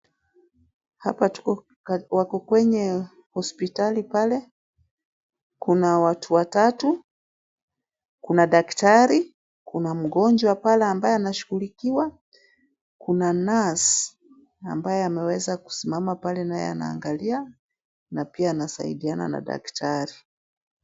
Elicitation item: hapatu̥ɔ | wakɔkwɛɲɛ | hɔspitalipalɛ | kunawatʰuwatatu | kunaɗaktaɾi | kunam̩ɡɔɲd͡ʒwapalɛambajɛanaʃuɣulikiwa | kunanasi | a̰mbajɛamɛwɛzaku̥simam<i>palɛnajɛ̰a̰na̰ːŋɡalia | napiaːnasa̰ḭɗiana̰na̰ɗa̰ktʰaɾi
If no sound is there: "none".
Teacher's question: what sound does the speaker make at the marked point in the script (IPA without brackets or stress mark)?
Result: a